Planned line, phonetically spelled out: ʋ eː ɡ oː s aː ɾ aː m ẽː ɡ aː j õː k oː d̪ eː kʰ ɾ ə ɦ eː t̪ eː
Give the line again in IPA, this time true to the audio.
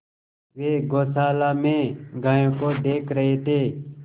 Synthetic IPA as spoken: ʋ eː ɡ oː s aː l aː m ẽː ɡ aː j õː k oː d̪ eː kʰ ɾ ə ɦ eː t̪ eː

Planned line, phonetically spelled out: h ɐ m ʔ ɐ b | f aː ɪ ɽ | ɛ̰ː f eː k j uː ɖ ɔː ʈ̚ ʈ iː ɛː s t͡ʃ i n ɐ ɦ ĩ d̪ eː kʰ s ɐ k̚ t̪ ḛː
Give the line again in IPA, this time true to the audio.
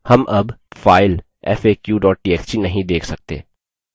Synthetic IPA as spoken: h ɐ m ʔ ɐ b | f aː ɪ l | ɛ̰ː f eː k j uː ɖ ɔː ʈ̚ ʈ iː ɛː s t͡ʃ i n ɐ ɦ ĩ d̪ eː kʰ s ɐ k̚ t̪ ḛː

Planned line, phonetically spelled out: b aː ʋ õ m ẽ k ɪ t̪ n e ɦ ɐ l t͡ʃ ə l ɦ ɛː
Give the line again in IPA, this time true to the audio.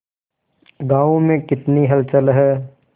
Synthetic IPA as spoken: ɡ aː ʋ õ m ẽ k ɪ t̪ n i ɦ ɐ l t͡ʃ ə l ɦ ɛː

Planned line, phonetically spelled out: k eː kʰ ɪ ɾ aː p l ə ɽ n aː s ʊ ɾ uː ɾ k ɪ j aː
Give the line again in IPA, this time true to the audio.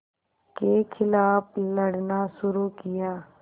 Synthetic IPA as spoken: k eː kʰ ɪ l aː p l ə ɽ n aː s ʊ ɾ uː k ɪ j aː

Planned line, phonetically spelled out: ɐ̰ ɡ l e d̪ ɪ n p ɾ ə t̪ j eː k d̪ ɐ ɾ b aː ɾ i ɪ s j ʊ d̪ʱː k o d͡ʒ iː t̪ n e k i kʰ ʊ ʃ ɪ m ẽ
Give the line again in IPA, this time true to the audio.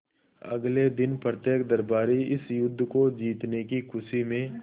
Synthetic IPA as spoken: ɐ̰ ɡ l e d̪ ɪ n p ɾ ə t̪ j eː k d̪ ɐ ɾ b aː ɾ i ɪ s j ʊ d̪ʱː k o d͡ʒ iː t̪ n e k i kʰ ʊ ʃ i m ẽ

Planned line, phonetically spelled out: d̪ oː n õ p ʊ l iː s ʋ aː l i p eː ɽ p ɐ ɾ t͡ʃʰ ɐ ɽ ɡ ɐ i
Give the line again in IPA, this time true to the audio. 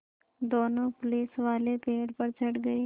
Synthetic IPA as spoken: d̪ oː n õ p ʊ l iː s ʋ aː l e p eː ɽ p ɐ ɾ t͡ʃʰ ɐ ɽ ɡ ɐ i

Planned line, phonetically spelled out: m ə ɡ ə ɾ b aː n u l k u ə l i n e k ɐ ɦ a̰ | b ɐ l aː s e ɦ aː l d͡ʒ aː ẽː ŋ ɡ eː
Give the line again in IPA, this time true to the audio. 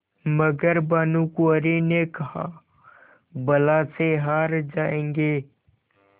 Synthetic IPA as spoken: m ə ɡ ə ɾ b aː n u k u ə ɾ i n e k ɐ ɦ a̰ | b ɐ l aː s e ɦ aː ɾ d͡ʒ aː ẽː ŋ ɡ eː

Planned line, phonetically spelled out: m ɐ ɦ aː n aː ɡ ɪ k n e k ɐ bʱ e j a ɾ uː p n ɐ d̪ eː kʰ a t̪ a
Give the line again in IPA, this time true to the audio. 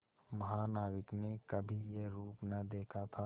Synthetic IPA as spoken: m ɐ ɦ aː n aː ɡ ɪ k n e k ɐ bʱ i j e ɾ uː p n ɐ d̪ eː kʰ a t̪ʰ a

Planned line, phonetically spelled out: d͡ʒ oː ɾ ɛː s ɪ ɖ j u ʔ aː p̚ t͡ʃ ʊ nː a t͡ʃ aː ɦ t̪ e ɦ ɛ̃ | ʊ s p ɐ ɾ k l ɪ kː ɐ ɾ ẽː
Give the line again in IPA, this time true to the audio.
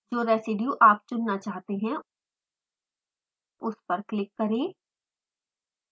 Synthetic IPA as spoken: d͡ʒ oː ɾ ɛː s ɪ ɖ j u ʔ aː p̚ t͡ʃ ʊ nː a t͡ʃ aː ɦ t̪ e ɦ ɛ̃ | ʊ s p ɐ ɾ k l ɪ kː ɐ ɾ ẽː

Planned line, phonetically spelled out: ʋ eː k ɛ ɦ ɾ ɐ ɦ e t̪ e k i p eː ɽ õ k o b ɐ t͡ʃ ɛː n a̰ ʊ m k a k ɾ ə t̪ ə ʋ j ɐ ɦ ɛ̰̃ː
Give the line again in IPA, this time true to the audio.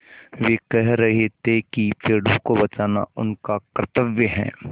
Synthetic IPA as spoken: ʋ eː k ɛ ɦ ɾ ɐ ɦ e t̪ e k i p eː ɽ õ k o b ɐ t͡ʃ aː n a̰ ʊ n k a k ɾ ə t̪ ə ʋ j ə ɦ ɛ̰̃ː

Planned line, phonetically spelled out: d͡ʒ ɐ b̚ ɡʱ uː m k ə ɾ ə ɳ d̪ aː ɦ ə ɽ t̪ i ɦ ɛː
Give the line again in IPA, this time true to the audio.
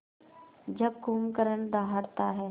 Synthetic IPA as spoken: d͡ʒ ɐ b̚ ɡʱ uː m k ə ɾ ə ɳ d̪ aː ɦ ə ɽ t̪ a ɦ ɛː

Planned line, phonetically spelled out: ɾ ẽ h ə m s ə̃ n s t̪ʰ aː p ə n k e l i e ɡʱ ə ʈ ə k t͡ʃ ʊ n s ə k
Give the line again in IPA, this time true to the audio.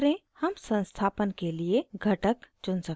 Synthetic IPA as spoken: ɾ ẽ h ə m s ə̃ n s t̪ʰ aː p ə n k e l i e ɡʱ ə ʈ ə k t͡ʃ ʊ n s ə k

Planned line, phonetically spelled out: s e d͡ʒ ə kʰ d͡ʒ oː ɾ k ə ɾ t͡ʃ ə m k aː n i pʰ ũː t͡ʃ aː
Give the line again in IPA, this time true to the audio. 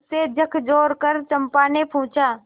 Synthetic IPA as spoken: s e d͡ʒ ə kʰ d͡ʒ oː ɾ k ə ɾ t͡ʃ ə m p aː n e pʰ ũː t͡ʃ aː

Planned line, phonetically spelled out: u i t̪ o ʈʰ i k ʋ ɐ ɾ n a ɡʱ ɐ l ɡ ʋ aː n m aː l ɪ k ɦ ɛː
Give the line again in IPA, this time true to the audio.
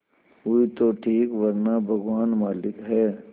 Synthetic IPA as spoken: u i t̪ o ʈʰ iː k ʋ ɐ ɾ n a bʱ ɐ ɡ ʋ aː n m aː l ɪ k ɦ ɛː

